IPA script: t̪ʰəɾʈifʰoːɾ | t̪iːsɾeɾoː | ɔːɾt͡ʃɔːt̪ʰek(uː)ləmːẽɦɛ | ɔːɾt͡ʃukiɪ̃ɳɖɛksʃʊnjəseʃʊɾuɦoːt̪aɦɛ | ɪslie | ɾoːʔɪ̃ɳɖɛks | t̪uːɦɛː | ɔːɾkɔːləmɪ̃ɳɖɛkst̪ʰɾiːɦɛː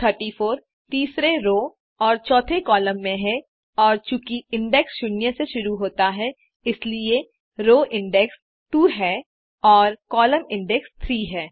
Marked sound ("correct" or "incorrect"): incorrect